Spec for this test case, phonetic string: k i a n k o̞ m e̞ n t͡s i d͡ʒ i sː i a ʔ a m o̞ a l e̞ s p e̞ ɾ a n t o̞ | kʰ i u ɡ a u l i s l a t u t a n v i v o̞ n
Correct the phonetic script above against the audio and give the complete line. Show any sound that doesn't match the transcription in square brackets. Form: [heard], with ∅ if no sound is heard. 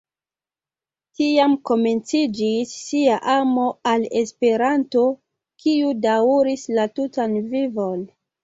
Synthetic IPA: [t] i a [m] k o̞ m e̞ n t͡s i d͡ʒ i sː i a ʔ a m o̞ a l e̞ s p e̞ ɾ a n t o̞ | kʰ i u [d] a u [ɾ] i s l a t u t a n v i v o̞ n

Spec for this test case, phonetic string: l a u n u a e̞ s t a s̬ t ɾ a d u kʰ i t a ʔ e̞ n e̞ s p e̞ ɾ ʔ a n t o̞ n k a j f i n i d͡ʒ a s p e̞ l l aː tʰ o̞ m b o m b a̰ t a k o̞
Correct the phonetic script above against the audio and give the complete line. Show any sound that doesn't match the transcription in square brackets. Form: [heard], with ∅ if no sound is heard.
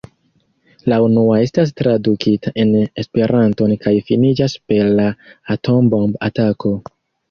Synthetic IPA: l a u n u a e̞ s t a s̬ t ɾ a d u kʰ i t a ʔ e̞ n e̞ s p e̞ ɾ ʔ a n t o̞ n k a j f i n i d͡ʒ a s p e̞ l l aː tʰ o̞ m b o m b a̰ t a k o̞

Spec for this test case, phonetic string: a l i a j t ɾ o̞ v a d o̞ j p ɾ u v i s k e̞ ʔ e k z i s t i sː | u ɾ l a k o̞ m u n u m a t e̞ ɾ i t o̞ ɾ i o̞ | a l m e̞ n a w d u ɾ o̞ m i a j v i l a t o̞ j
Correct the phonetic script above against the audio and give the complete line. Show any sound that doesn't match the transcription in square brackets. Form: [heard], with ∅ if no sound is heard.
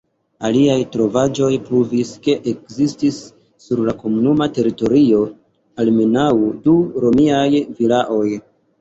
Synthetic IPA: a l i a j t ɾ o̞ v a [d͡ʒ] o̞ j p ɾ u v i s k e̞ ʔ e k z i s t i sː | u ɾ l a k o̞ m u n u m a t e̞ ɾ i t o̞ ɾ i o̞ | a l m e̞ n a w d u ɾ o̞ m i a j v i l a [ʔ] o̞ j

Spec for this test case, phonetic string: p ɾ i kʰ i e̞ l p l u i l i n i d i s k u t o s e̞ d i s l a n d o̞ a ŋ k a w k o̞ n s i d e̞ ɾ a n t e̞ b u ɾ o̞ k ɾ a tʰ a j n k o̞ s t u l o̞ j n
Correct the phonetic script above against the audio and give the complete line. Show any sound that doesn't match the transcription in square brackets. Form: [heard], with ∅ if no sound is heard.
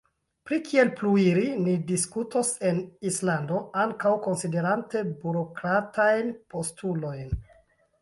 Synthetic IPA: p ɾ i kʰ i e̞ l p l u i [ɾ] i n i d i s k u t o s e̞ [n] i s l a n d o̞ a ŋ k a w k o̞ n s i d e̞ ɾ a n t e̞ b u ɾ o̞ k ɾ a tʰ a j n [p] o̞ s t u l o̞ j n

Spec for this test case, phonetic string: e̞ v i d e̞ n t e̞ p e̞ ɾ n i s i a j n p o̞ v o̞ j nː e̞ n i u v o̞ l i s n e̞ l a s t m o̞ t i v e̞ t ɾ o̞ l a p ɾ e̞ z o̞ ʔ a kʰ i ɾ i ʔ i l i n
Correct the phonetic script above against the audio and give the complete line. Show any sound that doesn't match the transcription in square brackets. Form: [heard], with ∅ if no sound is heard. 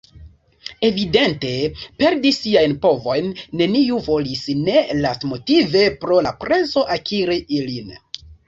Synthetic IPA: e̞ v i d e̞ n t e̞ p e̞ ɾ [d] i s i a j n p o̞ v o̞ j nː e̞ n i u v o̞ l i s n e̞ l a s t m o̞ t i v e̞ [p] ɾ o̞ l a p ɾ e̞ z o̞ ʔ a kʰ i ɾ i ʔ i l i n

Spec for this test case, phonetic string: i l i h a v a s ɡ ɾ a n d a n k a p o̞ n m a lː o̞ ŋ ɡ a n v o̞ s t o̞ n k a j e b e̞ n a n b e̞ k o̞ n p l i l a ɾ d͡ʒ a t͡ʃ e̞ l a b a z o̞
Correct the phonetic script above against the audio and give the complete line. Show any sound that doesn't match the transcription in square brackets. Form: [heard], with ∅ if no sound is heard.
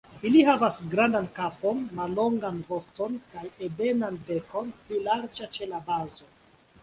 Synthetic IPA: i l i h a v a s ɡ ɾ a n d a n k a p o̞ n m a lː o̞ ŋ ɡ a n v o̞ s t o̞ n k a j e b e̞ n a n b e̞ k o̞ n p l i l a ɾ d͡ʒ a t͡ʃ e̞ l a b a z o̞

